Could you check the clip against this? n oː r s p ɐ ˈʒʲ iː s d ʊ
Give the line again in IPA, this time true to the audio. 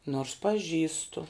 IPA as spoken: n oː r s p ɐ ˈʒʲ iː s t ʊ